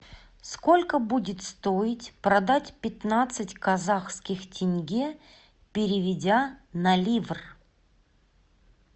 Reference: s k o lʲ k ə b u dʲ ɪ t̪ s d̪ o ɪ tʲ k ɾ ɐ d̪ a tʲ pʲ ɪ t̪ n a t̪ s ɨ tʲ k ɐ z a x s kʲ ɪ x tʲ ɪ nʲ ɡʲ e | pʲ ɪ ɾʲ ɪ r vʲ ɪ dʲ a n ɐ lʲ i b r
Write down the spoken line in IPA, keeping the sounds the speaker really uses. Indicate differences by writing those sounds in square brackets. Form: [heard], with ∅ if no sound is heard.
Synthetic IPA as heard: s k o lʲ k ə b u dʲ ɪ t̪ s [t̪] o ɪ tʲ [p] ɾ ɐ d̪ a tʲ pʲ ɪ t̪ n a t̪ s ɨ tʲ k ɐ z a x s kʲ ɪ x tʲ ɪ nʲ ɡʲ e | pʲ ɪ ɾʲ ɪ [∅] vʲ ɪ dʲ a n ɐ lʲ i [v] r